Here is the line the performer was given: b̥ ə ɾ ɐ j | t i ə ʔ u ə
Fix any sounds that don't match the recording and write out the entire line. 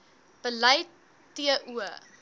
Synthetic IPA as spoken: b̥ ə l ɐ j | t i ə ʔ u ə